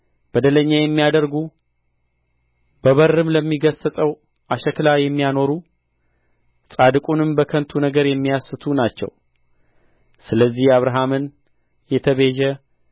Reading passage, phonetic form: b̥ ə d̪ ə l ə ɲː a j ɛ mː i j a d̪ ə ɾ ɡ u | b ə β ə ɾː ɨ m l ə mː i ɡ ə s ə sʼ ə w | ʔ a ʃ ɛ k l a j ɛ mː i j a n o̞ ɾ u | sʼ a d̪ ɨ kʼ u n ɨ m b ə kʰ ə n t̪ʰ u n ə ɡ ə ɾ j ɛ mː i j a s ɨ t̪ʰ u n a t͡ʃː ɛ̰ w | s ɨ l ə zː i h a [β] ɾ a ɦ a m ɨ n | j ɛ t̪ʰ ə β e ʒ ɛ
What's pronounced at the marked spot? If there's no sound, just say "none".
β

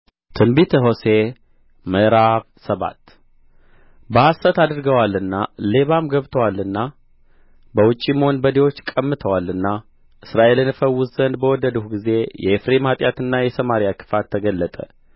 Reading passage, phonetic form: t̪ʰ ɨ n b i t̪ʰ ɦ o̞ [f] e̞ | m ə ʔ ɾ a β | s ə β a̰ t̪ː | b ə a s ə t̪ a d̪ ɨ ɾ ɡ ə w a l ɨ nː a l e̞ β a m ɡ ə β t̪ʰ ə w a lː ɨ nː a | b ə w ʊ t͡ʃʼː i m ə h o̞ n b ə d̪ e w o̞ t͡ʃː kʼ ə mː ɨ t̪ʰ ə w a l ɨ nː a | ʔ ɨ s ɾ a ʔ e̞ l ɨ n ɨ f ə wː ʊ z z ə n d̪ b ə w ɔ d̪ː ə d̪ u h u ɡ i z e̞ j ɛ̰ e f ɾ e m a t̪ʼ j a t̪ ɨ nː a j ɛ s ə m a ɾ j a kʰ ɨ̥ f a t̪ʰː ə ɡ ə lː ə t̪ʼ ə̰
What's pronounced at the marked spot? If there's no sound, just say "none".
s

